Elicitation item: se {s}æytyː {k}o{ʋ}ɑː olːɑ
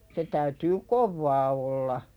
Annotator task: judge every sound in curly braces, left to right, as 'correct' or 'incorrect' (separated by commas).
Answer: incorrect, correct, incorrect